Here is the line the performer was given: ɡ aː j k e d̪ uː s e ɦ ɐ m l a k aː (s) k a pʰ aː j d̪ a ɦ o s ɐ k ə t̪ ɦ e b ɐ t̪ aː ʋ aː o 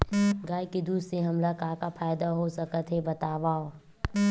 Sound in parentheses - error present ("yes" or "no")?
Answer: yes